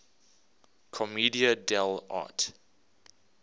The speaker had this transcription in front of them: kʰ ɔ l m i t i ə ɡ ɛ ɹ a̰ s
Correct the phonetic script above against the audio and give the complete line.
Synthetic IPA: kʰ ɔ m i d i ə d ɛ l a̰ t